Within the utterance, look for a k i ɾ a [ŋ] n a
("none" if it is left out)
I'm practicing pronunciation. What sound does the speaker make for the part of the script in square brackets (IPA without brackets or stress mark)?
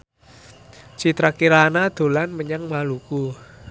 none